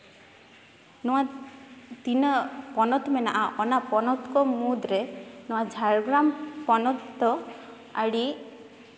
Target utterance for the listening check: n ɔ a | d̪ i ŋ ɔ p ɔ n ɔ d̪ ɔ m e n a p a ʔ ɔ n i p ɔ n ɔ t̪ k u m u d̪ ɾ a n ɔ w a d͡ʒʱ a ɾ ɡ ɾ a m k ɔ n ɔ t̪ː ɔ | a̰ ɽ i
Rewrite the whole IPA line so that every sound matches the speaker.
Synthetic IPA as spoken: n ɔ a | t̪ i n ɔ p ɔ n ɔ t̪ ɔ m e n a ʔ a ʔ ɔ n a p ɔ n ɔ t̪ k ɔ m u d̪ ɾ e n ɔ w a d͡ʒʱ a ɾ ɡ ɾ a m p ɔ n ɔ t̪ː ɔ | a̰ ɽ i